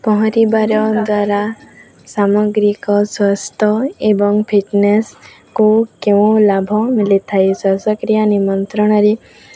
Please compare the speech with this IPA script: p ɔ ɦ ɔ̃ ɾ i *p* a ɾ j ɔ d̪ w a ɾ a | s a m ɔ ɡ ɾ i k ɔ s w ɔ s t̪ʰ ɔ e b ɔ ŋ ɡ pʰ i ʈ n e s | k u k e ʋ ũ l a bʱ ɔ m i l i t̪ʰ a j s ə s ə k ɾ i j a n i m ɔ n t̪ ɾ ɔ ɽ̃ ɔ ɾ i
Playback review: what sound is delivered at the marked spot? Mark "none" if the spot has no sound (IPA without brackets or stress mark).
b